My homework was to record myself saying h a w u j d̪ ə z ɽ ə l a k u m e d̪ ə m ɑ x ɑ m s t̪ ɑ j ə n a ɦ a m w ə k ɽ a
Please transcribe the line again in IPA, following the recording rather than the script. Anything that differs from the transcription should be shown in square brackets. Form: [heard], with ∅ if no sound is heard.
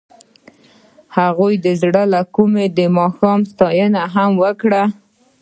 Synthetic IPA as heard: h a [ɣ] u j d̪ ə z ɽ ə l a k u m e d̪ ə m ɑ x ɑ m s t̪ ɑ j ə n a ɦ a m w ə k ɽ a